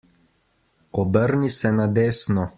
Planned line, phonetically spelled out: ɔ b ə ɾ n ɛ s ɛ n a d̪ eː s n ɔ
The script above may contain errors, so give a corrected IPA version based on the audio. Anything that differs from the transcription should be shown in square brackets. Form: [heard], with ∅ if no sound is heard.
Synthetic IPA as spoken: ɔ b ə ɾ n [i] s ɛ n a d̪ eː s n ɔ